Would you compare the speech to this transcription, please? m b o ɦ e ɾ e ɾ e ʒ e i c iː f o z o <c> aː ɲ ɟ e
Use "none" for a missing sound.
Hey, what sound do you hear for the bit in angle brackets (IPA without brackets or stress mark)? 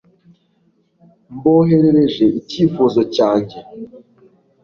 c